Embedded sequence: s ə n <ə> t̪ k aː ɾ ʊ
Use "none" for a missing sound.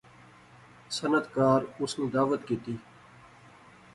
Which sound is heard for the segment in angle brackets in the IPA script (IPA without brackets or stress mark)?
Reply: ə